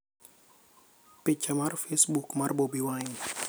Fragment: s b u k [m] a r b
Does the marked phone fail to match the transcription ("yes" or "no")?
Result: no